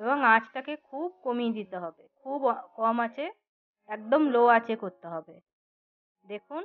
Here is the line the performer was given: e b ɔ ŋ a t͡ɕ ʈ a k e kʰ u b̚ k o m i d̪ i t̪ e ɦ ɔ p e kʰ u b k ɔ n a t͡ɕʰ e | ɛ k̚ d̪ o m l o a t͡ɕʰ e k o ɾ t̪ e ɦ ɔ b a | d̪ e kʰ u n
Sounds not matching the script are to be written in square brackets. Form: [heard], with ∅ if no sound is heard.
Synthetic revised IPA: e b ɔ ŋ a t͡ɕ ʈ a k e kʰ u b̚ k o m i d̪ i t̪ e ɦ ɔ [b] e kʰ u b k ɔ [m] a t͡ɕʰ e | ɛ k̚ d̪ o m l o a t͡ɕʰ e k o ɾ t̪ e ɦ ɔ b [e] | d̪ e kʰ u n